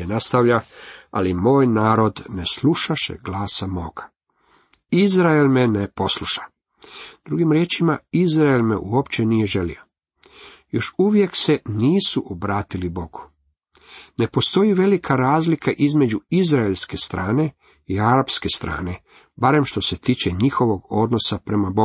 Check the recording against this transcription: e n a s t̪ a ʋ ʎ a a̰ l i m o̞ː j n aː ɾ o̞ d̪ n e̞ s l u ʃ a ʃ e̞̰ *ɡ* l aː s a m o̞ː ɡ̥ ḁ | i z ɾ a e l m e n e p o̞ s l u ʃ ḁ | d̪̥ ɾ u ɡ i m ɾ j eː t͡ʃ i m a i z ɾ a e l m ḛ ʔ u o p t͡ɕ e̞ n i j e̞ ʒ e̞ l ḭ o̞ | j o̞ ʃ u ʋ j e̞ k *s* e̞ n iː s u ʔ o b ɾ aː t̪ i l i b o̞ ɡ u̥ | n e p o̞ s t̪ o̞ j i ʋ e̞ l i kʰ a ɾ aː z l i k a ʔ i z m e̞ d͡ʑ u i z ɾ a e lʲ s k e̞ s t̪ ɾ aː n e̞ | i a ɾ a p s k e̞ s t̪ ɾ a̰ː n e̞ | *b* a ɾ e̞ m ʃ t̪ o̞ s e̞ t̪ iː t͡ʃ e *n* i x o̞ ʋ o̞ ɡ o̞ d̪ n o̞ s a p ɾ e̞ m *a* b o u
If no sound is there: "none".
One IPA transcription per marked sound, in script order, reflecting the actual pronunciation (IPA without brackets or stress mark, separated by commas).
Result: ɡ, s, b, ɲ, a